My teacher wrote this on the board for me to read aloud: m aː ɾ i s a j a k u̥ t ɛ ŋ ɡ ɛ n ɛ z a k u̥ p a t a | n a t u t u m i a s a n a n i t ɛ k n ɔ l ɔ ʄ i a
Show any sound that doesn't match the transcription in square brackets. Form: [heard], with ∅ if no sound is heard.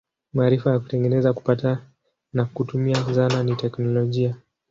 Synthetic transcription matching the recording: m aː ɾ i [f] a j a k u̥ t ɛ ŋ ɡ ɛ n ɛ z a k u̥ p a t a | n a [k] u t u m i a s a n a n i t ɛ k n ɔ l ɔ ʄ i a